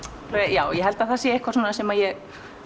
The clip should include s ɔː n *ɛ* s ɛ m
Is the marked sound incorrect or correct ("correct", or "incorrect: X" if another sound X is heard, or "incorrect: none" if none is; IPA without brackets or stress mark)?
incorrect: a